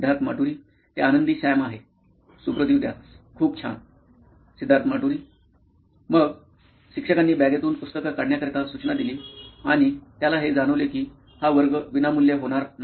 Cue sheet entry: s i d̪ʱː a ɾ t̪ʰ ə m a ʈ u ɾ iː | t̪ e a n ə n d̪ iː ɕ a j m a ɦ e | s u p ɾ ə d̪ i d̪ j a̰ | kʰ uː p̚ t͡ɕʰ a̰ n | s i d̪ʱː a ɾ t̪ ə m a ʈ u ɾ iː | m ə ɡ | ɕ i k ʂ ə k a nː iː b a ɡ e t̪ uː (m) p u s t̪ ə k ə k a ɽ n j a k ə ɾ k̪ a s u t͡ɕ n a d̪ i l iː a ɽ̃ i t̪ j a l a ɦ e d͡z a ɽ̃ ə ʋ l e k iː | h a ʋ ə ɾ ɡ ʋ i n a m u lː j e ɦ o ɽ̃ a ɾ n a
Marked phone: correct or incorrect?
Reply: incorrect